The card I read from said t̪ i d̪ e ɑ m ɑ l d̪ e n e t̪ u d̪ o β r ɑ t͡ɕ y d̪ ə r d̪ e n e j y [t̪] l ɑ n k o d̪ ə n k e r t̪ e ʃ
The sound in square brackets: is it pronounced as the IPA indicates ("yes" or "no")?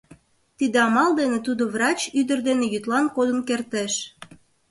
yes